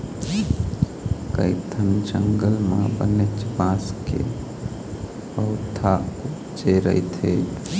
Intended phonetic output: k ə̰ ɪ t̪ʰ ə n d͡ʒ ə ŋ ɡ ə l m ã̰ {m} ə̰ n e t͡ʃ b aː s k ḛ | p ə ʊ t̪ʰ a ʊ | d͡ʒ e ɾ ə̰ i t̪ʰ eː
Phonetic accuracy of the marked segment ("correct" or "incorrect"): incorrect